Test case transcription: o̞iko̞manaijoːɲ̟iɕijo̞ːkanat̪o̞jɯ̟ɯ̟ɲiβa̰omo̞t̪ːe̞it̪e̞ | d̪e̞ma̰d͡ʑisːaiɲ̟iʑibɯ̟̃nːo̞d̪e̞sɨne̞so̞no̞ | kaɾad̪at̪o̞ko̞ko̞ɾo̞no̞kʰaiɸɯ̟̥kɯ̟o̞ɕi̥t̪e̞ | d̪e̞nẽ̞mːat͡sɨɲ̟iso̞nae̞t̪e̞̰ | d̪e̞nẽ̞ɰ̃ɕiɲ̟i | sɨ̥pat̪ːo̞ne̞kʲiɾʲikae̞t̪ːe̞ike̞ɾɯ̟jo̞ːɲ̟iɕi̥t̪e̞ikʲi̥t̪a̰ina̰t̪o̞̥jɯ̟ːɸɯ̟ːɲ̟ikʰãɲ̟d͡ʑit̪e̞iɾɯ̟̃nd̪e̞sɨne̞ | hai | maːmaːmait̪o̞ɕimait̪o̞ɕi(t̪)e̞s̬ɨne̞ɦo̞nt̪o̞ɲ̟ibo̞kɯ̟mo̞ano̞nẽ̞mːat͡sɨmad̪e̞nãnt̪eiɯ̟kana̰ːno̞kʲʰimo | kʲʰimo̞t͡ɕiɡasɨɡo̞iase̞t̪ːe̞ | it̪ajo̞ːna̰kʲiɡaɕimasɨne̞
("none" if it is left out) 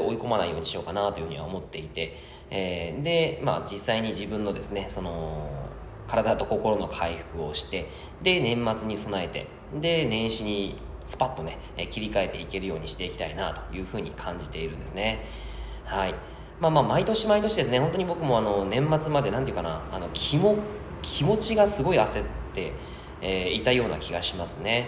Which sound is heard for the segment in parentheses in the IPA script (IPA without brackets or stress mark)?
d̪